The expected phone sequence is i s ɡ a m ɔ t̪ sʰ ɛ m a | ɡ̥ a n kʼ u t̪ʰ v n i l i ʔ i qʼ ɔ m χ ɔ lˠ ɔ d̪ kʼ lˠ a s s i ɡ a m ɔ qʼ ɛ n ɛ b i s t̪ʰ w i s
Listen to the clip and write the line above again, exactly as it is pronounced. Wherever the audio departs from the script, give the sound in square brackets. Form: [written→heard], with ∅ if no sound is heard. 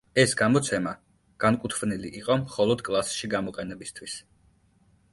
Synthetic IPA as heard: [i→ɛ] s ɡ a m ɔ t̪ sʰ ɛ m a | ɡ̥ a n kʼ u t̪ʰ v n i l i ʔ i qʼ ɔ m χ ɔ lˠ ɔ d̪ kʼ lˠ a s [s→ʃ] i ɡ a m ɔ qʼ ɛ n ɛ b i s t̪ʰ w i s

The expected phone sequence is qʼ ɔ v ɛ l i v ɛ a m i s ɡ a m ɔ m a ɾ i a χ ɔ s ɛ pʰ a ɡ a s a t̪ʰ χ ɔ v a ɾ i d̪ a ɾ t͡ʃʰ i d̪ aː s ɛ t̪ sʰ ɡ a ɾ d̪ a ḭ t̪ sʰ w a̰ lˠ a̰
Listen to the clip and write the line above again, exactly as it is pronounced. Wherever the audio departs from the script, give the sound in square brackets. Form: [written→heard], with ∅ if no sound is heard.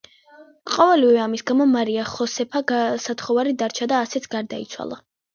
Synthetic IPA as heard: qʼ ɔ v ɛ l i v ɛ a m i s ɡ a m ɔ m a ɾ i a χ ɔ s ɛ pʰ a ɡ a s a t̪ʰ χ ɔ v a ɾ i d̪ a ɾ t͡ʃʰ [i→a] d̪ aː s ɛ t̪ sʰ ɡ a ɾ d̪ a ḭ t̪ sʰ w a̰ lˠ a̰

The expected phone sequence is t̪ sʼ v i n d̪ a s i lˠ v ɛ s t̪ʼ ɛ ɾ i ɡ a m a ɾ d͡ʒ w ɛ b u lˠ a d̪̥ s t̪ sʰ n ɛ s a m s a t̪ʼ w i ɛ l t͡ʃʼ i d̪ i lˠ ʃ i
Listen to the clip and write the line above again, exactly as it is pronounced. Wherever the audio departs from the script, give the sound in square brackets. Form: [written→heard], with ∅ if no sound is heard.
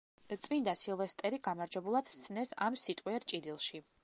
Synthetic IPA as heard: t̪ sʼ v i n d̪ a s i lˠ v ɛ s t̪ʼ ɛ ɾ i ɡ a m a ɾ d͡ʒ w ɛ b u lˠ a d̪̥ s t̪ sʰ n ɛ s a m s [a→i] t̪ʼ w i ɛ [l→ɾ] t͡ʃʼ i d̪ i lˠ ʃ i

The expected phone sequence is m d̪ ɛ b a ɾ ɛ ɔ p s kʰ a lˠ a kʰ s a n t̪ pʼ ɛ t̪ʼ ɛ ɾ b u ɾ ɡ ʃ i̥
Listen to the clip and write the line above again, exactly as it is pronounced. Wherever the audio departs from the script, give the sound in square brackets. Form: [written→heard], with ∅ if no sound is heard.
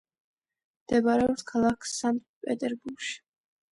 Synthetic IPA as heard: m d̪ ɛ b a ɾ ɛ ɔ p s kʰ a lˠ a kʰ s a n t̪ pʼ ɛ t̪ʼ ɛ ɾ b u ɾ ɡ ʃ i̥

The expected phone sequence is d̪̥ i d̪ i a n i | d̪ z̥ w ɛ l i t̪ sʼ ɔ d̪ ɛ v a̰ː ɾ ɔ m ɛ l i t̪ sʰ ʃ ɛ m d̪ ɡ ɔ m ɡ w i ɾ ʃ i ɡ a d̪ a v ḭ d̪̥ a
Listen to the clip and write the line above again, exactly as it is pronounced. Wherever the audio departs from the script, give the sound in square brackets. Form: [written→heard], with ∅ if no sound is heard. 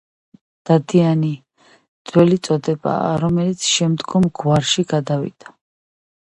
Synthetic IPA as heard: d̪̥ [i→a] d̪ i a n i | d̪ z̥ w ɛ l i t̪ sʼ ɔ d̪ ɛ [v→b] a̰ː ɾ ɔ m ɛ l i t̪ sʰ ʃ ɛ m d̪ ɡ ɔ m ɡ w [i→a] ɾ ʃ i ɡ a d̪ a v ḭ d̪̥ a

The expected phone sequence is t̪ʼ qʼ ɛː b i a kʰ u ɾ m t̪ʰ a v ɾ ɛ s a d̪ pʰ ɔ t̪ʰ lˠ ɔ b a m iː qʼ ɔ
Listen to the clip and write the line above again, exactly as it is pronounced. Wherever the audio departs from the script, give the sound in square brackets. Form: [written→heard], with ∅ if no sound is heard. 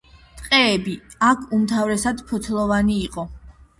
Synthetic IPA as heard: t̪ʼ qʼ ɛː b i a kʰ u [ɾ→∅] m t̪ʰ a v ɾ ɛ s a d̪ pʰ ɔ t̪ʰ lˠ ɔ [b→v] a [m→n] iː qʼ ɔ

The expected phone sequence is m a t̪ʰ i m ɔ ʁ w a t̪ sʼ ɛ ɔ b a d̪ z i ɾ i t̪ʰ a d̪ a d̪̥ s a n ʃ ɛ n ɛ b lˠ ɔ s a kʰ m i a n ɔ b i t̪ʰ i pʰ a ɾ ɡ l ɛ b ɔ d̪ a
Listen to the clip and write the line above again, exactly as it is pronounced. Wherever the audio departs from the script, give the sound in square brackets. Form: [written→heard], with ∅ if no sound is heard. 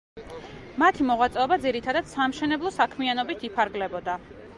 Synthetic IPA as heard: m a t̪ʰ i m ɔ ʁ w a t̪ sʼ ɛ ɔ b a d̪ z i ɾ i t̪ʰ a d̪ a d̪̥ s a [n→m] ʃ ɛ n ɛ b lˠ ɔ s a kʰ m i a n ɔ b i t̪ʰ i pʰ a ɾ ɡ l ɛ b ɔ d̪ a

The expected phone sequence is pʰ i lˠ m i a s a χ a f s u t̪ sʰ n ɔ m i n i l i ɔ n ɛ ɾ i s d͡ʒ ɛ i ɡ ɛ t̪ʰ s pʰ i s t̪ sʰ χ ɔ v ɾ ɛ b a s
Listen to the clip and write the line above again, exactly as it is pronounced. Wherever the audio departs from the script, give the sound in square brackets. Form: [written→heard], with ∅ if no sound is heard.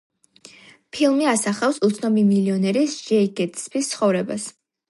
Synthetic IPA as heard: pʰ i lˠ m i a s a χ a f s u t̪ sʰ n ɔ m i [n→m] i l i ɔ n ɛ ɾ i s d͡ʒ ɛ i ɡ ɛ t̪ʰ s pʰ i s t̪ sʰ χ ɔ v ɾ ɛ b a s

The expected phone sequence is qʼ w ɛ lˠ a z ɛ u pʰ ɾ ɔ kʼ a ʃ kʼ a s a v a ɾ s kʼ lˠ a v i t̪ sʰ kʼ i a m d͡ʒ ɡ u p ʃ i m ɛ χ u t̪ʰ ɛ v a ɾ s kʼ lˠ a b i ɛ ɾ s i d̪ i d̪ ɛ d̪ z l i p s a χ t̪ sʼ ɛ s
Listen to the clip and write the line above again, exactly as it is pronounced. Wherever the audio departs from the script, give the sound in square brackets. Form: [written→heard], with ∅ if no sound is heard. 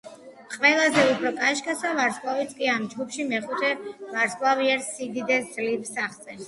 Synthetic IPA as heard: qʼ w ɛ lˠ a z ɛ u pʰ ɾ ɔ kʼ a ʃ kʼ a s a v a ɾ s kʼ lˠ a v i t̪ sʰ kʼ i a m d͡ʒ ɡ u p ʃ i m ɛ χ u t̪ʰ ɛ v a ɾ s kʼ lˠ a [b→v] i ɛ ɾ s i d̪ i d̪ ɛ d̪ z l i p s a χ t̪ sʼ ɛ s

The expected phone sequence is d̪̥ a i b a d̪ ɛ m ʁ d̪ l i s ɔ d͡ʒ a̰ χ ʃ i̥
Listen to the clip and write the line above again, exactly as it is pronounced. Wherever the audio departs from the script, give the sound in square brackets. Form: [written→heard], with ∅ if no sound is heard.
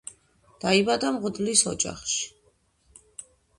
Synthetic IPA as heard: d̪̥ a i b a d̪ [ɛ→a] m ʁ d̪ l i s ɔ d͡ʒ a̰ χ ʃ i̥

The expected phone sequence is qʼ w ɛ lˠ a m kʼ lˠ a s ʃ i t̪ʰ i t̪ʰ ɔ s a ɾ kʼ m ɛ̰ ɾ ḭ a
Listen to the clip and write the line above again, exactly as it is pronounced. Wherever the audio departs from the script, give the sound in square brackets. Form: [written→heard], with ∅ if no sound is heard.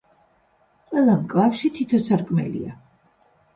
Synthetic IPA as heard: qʼ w ɛ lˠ a m kʼ lˠ a [s→f] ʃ i t̪ʰ i t̪ʰ ɔ s a ɾ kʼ m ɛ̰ [ɾ→l] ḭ a

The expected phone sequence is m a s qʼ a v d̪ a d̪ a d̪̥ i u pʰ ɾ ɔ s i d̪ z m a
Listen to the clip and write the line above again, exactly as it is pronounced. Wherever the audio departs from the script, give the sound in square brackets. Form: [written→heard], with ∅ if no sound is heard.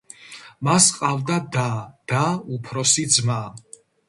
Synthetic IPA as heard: m a s qʼ a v d̪ a d̪ a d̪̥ [i→a] u pʰ ɾ ɔ s i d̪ z m a

